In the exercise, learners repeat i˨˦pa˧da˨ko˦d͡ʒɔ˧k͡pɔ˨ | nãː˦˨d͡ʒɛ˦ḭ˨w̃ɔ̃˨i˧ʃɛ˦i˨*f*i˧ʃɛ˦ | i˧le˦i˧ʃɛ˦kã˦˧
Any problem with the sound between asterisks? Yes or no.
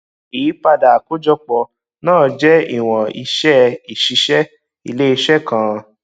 yes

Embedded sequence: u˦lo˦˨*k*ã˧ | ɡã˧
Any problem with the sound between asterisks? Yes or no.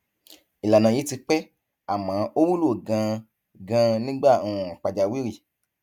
yes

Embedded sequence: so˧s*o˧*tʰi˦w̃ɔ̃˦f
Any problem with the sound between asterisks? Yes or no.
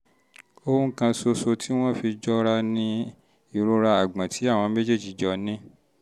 no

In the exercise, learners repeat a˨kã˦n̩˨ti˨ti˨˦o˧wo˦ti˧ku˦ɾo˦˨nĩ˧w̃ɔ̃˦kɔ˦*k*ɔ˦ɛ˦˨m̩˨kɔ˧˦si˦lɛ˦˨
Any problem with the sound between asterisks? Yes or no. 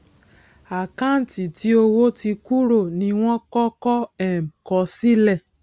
no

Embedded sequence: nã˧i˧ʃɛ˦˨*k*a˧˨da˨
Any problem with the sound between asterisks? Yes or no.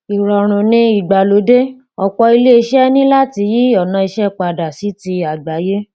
yes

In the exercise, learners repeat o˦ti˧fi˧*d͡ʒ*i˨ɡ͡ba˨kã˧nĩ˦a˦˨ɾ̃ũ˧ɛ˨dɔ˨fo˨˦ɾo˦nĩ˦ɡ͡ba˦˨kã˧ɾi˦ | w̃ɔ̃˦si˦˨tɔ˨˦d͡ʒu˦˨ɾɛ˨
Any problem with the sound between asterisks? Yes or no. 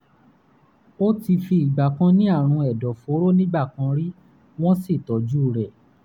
yes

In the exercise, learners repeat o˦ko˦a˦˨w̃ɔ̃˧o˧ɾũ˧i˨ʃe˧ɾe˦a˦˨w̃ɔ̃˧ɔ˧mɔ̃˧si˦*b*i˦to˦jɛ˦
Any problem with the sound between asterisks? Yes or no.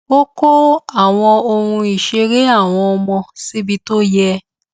no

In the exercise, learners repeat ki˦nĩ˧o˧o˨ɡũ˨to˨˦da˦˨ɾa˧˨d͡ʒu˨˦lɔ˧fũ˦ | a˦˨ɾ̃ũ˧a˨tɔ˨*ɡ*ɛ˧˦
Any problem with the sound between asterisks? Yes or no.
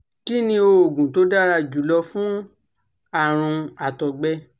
yes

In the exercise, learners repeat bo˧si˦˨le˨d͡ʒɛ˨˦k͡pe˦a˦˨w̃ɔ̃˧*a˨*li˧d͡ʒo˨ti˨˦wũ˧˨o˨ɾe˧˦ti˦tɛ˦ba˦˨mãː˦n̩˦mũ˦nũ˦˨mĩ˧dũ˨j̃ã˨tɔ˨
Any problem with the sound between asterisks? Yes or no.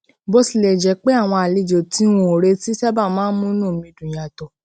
no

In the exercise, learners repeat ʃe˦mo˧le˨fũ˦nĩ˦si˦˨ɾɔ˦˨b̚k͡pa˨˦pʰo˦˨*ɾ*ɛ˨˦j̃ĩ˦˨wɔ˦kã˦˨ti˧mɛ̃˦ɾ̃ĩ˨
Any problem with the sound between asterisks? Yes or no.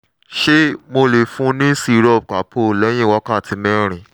yes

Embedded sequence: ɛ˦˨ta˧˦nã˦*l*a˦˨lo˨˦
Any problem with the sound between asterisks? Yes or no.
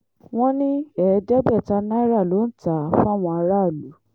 yes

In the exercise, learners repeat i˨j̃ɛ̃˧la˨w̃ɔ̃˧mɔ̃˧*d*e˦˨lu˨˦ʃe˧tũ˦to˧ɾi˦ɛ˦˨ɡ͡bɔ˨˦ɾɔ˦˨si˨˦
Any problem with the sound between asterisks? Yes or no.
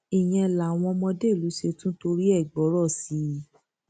no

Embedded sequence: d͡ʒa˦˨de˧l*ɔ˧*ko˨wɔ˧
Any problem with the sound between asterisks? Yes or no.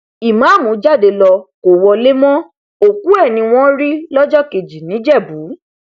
no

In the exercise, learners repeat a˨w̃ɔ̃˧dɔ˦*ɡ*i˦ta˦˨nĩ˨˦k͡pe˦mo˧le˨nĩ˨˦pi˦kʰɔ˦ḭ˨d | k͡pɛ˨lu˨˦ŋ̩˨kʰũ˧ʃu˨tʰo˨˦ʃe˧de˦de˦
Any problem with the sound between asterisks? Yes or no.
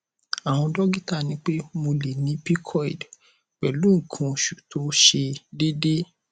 no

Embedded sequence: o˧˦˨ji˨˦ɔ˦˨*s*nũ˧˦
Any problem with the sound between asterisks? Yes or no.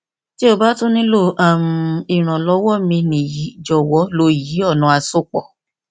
yes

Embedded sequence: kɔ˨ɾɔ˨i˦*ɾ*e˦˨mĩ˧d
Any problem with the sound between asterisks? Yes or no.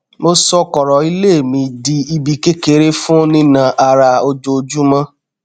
yes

